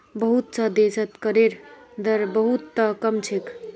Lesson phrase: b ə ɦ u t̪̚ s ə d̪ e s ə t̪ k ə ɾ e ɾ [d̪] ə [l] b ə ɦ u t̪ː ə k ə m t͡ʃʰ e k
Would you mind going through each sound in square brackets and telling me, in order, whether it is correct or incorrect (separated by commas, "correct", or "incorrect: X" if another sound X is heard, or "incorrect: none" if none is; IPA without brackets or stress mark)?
correct, incorrect: ɾ